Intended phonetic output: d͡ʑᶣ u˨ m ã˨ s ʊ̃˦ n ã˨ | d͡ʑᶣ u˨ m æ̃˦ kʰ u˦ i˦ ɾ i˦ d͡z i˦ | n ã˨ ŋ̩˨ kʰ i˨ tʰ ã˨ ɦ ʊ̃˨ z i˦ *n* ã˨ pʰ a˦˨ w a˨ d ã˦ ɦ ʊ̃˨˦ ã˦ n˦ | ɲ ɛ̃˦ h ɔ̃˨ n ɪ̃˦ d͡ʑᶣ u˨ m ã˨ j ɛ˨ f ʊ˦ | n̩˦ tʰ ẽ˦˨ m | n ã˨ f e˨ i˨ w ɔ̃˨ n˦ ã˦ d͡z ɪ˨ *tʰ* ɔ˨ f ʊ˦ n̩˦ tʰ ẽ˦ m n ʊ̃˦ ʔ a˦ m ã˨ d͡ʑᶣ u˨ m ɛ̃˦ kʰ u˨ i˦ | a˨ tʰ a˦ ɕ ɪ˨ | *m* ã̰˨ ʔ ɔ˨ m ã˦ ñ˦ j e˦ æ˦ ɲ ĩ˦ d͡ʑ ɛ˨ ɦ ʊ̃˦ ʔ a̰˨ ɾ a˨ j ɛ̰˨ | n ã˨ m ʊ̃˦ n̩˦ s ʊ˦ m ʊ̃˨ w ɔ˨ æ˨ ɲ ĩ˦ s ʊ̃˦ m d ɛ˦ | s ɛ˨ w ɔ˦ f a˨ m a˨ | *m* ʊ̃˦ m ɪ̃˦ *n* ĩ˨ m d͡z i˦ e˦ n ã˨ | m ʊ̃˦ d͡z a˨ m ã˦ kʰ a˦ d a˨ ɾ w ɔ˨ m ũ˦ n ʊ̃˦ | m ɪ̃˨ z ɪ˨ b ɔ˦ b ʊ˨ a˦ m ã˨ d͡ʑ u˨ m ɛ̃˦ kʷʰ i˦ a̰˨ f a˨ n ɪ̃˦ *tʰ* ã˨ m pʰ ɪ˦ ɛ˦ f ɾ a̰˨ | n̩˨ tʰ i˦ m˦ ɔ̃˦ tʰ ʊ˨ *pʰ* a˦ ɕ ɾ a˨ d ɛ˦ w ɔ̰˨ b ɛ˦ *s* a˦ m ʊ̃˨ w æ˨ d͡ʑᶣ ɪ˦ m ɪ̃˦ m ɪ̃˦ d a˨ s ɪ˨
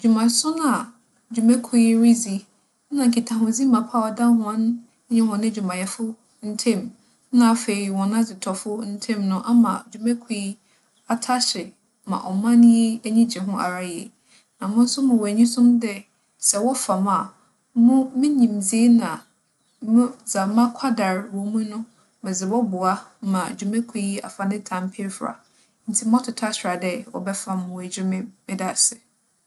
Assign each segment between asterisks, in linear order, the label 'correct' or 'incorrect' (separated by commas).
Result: incorrect, correct, correct, correct, incorrect, correct, incorrect, incorrect